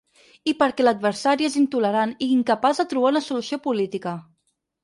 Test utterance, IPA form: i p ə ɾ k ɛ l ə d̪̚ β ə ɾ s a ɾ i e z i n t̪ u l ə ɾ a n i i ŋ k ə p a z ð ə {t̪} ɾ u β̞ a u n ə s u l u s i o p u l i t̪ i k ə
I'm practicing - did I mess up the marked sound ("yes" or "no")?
no